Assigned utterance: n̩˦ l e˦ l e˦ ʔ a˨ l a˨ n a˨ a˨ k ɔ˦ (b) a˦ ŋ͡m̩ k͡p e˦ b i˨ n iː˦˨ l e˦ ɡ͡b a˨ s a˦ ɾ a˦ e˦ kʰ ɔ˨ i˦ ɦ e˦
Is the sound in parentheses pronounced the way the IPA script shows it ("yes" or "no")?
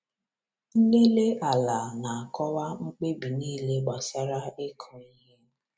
no